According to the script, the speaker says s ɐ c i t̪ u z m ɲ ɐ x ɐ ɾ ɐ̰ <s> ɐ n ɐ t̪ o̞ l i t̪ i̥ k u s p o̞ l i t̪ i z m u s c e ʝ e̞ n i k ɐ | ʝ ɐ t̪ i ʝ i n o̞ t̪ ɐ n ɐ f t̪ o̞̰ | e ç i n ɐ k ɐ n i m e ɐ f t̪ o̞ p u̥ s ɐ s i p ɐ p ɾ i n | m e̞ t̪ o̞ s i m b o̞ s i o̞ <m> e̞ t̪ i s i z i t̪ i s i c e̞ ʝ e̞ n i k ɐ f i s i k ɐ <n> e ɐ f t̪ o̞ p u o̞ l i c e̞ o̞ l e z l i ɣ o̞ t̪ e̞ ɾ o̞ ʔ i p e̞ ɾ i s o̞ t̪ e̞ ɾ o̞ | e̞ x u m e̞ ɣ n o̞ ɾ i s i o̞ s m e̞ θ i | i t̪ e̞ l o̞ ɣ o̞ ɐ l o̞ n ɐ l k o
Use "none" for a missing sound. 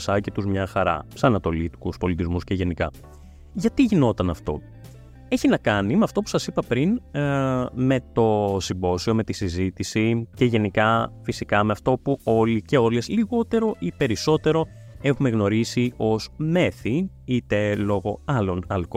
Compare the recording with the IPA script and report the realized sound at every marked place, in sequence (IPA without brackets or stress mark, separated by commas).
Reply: s, m, m